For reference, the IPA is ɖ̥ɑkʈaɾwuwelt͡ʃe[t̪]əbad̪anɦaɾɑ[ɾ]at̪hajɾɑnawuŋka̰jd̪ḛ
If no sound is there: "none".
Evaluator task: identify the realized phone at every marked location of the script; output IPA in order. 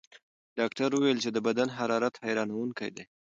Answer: d̪, ɾ

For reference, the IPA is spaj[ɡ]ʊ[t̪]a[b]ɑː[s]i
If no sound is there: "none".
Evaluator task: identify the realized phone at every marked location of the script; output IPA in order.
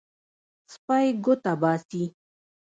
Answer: ɡ, t̪, b, s

